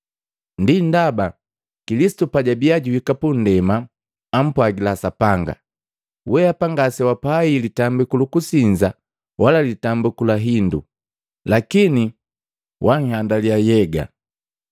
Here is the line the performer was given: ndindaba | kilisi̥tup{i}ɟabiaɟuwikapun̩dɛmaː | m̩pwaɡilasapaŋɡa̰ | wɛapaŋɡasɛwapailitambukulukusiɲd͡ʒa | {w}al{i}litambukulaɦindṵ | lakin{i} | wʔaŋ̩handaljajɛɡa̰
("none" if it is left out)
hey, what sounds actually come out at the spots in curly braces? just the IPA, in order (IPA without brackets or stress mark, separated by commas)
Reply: a, w, a, i